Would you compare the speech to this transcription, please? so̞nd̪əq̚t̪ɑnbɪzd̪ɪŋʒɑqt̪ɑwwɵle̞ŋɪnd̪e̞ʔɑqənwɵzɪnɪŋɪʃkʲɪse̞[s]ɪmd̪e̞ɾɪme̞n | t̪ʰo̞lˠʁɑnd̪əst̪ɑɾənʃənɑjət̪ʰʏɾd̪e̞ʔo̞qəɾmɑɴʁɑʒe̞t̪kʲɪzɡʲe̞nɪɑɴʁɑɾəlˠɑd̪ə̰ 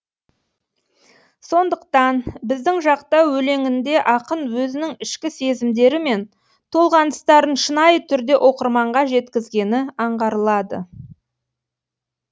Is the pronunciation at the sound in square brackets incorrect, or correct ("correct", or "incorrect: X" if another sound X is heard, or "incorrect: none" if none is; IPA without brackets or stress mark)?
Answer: incorrect: z